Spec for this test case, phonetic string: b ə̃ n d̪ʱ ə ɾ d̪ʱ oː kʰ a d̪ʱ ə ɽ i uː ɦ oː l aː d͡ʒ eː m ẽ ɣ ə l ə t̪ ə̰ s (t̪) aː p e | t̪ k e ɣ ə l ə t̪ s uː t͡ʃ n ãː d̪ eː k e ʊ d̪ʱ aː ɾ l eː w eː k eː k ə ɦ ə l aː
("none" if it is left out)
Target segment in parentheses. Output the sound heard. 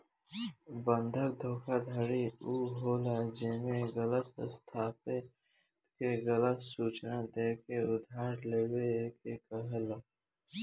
t̪ʰ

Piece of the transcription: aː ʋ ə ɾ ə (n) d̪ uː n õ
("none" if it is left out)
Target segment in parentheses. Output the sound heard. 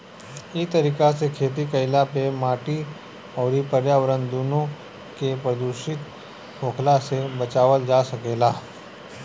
n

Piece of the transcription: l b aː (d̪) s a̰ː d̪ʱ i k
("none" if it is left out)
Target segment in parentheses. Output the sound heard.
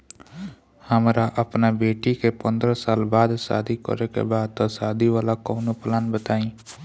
d̪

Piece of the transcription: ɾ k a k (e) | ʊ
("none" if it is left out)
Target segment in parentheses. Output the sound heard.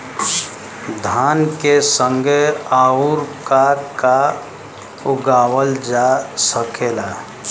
a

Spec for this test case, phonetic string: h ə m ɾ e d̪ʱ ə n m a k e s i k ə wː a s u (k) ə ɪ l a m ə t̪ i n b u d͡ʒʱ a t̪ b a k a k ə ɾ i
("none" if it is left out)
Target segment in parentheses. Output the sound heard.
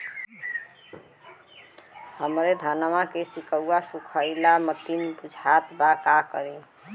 kʰ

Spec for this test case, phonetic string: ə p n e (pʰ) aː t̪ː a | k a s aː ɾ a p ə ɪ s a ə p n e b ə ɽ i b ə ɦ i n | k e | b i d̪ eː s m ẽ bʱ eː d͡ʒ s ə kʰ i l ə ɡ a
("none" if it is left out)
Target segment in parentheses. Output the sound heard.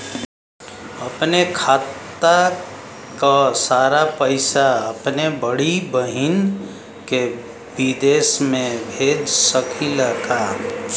kʰ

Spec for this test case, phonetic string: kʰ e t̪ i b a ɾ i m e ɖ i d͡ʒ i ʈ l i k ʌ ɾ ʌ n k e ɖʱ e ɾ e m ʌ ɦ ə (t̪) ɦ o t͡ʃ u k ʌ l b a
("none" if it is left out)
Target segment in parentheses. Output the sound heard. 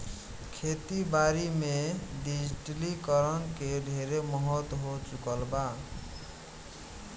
t̪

